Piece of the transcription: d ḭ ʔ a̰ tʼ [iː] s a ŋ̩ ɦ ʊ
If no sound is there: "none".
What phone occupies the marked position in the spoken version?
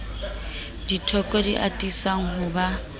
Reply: i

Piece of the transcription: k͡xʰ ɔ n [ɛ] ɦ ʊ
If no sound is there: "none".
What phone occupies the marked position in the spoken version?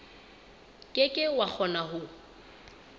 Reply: a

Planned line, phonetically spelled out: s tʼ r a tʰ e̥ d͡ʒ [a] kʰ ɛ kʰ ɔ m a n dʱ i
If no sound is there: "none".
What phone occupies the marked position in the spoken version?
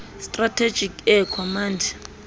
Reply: i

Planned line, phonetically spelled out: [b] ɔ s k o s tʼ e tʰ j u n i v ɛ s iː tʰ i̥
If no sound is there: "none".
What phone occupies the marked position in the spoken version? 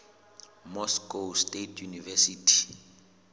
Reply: m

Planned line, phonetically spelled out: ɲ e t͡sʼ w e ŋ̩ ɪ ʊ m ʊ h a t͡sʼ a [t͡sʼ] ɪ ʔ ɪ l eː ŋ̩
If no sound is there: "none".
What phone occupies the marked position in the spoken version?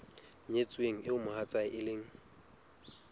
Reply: none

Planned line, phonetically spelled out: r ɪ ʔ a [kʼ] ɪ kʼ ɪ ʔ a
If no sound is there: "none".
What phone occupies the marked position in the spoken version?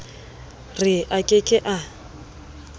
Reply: kʼ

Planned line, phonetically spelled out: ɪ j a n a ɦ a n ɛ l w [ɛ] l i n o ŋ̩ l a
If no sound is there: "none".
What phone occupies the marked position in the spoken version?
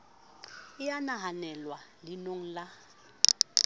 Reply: a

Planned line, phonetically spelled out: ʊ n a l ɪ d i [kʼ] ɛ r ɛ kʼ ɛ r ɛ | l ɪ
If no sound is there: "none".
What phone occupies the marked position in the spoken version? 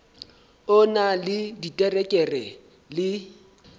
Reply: tʼ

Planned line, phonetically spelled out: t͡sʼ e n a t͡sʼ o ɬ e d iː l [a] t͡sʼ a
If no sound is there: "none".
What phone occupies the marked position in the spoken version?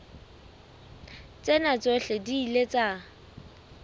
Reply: e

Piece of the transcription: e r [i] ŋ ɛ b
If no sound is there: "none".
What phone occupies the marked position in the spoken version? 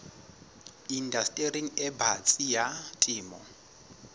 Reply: i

